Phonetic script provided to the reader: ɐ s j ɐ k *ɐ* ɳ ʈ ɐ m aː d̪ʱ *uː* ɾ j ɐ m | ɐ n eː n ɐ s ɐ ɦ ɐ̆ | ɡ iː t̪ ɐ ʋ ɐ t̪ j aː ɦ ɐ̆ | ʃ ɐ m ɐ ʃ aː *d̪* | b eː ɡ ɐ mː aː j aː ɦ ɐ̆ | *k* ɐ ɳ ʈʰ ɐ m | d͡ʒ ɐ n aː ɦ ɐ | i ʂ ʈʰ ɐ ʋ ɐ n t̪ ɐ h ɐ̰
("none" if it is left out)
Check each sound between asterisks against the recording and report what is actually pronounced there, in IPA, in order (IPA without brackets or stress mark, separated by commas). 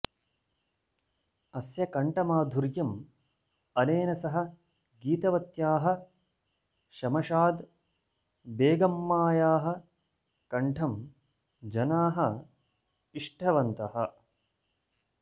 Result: ɐ, u, d̪, k